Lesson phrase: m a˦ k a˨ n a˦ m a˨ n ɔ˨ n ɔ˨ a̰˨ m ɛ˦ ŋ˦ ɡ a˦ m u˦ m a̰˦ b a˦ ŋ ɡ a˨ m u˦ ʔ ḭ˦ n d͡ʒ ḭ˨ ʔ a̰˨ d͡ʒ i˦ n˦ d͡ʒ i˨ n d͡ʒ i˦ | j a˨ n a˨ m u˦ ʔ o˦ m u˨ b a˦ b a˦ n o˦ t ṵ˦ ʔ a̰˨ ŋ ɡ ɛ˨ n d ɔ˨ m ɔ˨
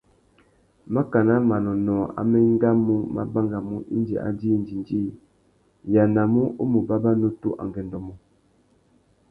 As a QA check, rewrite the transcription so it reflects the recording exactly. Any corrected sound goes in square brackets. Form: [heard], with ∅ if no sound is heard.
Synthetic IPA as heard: m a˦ k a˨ n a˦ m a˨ n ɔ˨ n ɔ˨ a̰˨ m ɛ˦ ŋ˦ ɡ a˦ m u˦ m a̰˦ b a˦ ŋ ɡ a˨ m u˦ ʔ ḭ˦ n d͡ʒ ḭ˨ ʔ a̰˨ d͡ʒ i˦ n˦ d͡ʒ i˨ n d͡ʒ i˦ | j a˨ n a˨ m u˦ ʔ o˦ m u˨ b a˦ b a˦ n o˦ t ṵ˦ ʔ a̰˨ ŋ ɡ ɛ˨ n d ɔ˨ m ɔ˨